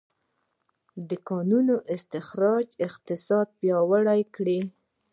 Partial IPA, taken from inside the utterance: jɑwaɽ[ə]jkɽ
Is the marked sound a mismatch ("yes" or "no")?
yes